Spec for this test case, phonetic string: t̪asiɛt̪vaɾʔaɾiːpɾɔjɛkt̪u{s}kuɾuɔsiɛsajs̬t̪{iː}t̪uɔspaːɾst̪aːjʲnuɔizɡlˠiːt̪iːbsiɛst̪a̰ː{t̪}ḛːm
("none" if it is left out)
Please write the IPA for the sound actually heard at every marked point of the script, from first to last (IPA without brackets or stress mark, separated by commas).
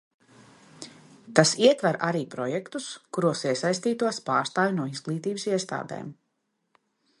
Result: s, iː, d̪